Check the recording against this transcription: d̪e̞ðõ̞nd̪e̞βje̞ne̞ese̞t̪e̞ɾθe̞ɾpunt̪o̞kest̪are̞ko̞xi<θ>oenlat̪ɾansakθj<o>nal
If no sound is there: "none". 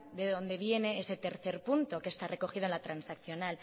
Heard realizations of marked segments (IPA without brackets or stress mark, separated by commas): ð, o